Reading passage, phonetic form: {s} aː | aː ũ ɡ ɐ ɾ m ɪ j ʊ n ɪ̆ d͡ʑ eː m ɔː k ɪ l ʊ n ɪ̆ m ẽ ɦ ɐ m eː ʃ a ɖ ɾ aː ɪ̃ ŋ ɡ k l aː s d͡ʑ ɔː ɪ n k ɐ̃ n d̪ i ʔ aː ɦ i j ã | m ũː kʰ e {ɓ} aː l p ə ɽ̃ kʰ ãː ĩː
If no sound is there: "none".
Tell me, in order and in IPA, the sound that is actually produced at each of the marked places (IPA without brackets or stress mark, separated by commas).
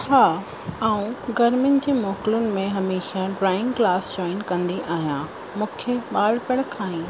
h, ɓ